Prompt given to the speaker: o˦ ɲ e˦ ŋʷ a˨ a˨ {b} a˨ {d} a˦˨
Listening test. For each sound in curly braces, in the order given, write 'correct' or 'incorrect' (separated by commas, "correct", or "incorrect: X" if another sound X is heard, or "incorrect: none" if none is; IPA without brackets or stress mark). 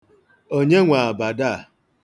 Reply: correct, correct